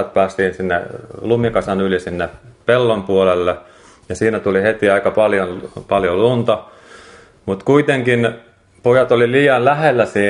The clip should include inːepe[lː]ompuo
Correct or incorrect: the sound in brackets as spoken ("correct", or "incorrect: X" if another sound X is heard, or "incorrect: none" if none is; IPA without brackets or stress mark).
correct